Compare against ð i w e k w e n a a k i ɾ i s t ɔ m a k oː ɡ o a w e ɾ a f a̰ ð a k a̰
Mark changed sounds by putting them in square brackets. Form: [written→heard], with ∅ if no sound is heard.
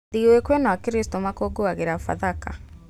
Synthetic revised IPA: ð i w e k w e n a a k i ɾ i s t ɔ m a k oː ɡ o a [w→ɣ] e ɾ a f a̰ ð a k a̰